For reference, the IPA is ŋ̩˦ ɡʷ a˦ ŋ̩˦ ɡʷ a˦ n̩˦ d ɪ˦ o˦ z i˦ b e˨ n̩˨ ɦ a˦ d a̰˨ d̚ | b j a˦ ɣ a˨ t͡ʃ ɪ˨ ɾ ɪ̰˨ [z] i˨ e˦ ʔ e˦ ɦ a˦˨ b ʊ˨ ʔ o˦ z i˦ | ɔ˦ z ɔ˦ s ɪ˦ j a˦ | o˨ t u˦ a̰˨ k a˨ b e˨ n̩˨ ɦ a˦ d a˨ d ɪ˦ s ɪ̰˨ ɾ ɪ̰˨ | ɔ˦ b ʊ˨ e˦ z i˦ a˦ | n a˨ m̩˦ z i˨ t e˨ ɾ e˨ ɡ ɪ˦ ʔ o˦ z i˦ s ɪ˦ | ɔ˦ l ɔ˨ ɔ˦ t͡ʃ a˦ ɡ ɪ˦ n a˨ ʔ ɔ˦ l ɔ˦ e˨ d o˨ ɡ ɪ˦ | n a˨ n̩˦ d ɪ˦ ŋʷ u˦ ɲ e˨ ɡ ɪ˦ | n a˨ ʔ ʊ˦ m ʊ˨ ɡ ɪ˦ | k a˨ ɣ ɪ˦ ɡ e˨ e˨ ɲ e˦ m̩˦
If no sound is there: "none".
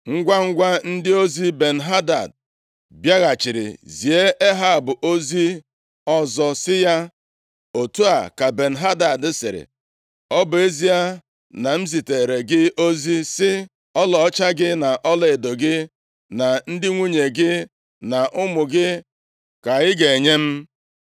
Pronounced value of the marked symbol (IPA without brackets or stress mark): z